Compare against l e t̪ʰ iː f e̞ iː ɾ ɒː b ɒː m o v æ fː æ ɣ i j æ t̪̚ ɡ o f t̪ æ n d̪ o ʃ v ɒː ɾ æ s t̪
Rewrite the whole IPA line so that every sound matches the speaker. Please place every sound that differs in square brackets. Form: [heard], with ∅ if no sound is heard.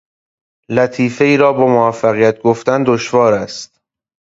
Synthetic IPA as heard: l [æ] t̪ʰ iː f e̞ iː ɾ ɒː b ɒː m o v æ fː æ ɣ i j æ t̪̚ ɡ o f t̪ æ n d̪ o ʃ v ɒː ɾ æ s t̪